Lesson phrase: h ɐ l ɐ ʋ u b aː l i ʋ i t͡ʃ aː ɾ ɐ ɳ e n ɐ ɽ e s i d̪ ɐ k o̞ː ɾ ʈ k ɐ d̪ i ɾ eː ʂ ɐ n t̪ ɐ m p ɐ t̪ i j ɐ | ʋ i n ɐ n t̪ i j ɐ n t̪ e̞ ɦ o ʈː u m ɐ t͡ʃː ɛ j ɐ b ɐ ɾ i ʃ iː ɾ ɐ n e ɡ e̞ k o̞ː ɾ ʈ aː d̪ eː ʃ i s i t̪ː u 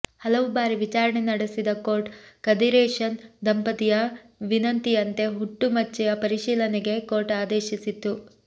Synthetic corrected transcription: h ɐ l ɐ ʋ u b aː ɾ i ʋ i t͡ʃ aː ɾ ɐ ɳ e n ɐ ɽ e s i d̪ ɐ k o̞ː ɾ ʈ k ɐ d̪ i ɾ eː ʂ ɐ n d̪ ɐ m p ɐ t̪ i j ɐ | ʋ i n ɐ n t̪ i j ɐ n t̪ e̞ ɦ u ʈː u m ɐ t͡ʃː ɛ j ɐ p ɐ ɾ i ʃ iː l ɐ n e ɡ e̞ k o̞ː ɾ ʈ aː d̪ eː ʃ i s i t̪ː u